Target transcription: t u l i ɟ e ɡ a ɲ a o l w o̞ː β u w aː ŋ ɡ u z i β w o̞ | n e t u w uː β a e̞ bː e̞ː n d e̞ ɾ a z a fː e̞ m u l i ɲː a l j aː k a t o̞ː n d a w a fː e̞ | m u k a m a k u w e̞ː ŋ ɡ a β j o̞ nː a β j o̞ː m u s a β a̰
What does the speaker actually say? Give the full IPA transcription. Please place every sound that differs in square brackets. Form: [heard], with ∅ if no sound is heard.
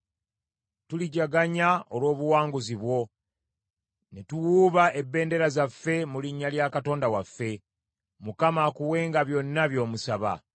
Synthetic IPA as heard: t u l i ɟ [a] ɡ a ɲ a o l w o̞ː β u w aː ŋ ɡ u z i β w o̞ | n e t u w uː β a e̞ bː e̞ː n d e̞ ɾ a z a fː e̞ m u l i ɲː a l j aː k a t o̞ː n d a w a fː e̞ | m u k a m a k u w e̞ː ŋ ɡ a β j o̞ nː a β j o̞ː m u s a β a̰

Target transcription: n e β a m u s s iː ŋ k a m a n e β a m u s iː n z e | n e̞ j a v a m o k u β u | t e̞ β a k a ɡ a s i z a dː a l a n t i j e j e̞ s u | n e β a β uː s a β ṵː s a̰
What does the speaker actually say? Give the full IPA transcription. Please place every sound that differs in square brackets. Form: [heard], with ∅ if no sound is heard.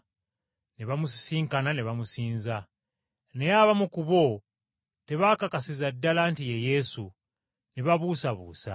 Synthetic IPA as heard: n e β a m u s s iː ŋ k a [n] a n e β a m u s iː n z [a] | n e̞ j a [β] a m [u] k u β [o] | t e̞ β a k a [k] a s i z a dː a l a n t i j e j e̞ s u | n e β a β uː s a β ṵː s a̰

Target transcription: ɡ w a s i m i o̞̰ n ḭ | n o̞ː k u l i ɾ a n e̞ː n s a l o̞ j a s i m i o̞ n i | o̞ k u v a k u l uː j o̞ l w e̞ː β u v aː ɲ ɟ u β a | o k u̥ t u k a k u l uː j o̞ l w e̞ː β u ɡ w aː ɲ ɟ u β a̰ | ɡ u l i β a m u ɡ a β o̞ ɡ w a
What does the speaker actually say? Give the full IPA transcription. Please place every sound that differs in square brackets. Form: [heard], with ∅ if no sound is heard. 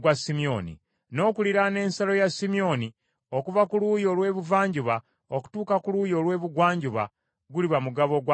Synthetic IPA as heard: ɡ w a s i m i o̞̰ n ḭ | n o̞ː k u l i ɾ a n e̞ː n s a l o̞ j a s i m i o̞ n i | o̞ k u v a k u l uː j o̞ l w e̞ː β u v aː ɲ ɟ u β a | o k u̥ t [uː] k a k u l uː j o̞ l w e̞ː β u ɡ w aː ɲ ɟ u β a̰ | ɡ u l i β a m u ɡ a β o̞ ɡ w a

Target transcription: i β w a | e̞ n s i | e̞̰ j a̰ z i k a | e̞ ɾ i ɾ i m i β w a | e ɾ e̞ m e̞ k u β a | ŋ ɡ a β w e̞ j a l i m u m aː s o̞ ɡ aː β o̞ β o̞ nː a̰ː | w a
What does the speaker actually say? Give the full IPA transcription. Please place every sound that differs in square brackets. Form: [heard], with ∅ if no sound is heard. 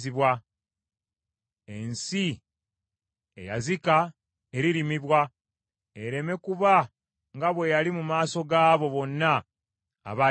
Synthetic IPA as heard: i β w a | e̞ n s i | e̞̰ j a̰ z i k a | e̞ ɾ i ɾ i m i β w a | e ɾ e̞ m e̞ k u β a | ŋ ɡ a β w e̞ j a l i m u m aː s o̞ ɡ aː β o̞ β o̞ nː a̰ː | [β] a

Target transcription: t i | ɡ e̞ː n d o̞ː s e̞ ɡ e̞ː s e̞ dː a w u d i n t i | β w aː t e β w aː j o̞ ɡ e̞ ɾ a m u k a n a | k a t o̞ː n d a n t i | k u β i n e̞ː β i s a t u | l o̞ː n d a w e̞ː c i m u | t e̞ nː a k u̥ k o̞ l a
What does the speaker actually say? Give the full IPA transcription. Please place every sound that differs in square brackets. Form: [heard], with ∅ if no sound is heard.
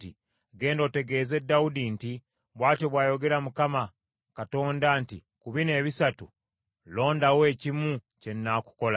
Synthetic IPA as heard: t i | ɡ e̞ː n d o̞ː [t] e̞ ɡ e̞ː [z] e̞ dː a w u d i n t i | β w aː t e β w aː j o̞ ɡ e̞ ɾ a m u k a [m] a | k a t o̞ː n d a n t i | k u β i n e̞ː β i s a t u | l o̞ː n d a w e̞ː c i m u | [c] e̞ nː a k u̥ k o̞ l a

